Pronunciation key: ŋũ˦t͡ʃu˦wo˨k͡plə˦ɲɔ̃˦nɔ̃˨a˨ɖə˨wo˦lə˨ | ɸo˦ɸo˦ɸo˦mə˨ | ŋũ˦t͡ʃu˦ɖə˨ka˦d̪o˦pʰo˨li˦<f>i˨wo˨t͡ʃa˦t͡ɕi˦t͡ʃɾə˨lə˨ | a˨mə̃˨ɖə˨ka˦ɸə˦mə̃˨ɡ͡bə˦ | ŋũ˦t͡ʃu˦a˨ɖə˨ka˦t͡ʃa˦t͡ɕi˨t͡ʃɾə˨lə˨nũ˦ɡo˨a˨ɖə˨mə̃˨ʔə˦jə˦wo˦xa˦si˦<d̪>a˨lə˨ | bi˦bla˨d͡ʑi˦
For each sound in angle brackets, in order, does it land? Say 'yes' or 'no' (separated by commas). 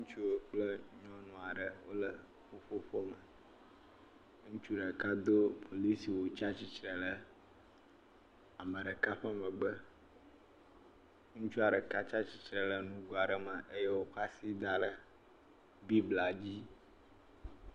no, yes